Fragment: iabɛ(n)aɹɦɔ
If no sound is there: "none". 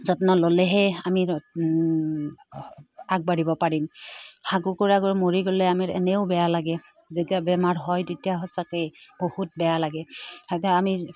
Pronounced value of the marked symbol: m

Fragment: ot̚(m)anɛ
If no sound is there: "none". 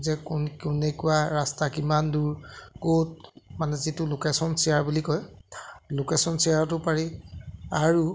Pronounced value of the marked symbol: m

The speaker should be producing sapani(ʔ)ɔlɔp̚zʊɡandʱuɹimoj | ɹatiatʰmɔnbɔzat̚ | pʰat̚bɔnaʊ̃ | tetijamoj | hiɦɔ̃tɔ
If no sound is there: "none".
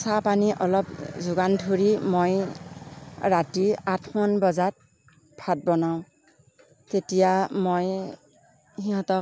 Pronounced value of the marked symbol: ʔ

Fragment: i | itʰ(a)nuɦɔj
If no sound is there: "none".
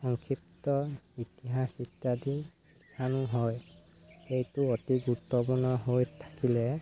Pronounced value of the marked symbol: a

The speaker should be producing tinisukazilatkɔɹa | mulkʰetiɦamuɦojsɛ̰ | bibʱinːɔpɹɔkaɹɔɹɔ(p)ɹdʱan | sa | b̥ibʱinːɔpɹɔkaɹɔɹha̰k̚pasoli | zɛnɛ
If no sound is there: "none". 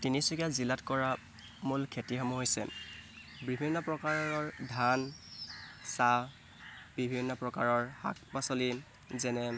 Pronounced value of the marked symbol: none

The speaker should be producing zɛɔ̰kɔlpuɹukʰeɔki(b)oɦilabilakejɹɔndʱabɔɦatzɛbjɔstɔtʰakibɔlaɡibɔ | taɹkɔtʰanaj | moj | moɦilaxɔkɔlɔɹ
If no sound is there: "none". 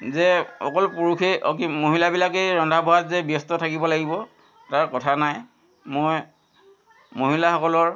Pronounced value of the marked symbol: m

